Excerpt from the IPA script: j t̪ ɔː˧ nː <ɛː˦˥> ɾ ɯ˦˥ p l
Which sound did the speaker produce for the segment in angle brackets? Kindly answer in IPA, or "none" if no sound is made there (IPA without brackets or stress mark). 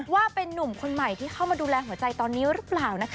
iː˦˥